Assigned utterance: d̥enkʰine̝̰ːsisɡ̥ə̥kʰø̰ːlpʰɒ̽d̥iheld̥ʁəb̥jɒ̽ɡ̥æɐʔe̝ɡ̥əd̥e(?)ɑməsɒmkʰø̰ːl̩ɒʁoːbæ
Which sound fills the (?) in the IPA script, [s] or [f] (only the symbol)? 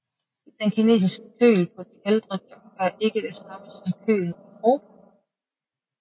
s